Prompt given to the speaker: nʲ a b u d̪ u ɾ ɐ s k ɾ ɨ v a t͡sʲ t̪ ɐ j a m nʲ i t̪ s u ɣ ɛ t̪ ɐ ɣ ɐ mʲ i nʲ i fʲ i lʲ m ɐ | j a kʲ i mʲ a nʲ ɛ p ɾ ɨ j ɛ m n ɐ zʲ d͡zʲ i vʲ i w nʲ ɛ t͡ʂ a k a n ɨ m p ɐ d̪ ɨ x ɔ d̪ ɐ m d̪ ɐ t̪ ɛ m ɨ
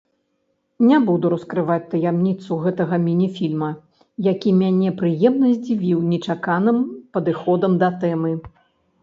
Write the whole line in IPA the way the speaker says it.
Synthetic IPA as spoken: nʲ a b u d̪ u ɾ ɐ s k ɾ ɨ v a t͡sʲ t̪ ɐ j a m nʲ i t̪ s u ɣ ɛ t̪ ɐ ɣ ɐ mʲ i nʲ i fʲ i lʲ m ɐ | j a kʲ i mʲ a nʲ ɛ p ɾ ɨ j ɛ m n ɐ zʲ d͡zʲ i vʲ i w nʲ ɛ t͡ʂ a k a n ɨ m p ɐ d̪ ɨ x ɔ d̪ ɐ m d̪ ɐ t̪ ɛ m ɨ